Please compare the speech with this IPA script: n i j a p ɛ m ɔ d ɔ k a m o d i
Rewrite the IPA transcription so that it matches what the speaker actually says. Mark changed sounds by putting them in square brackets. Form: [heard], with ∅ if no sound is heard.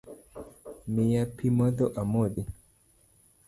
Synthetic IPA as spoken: [m] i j a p [i] m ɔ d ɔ [ʔ] a m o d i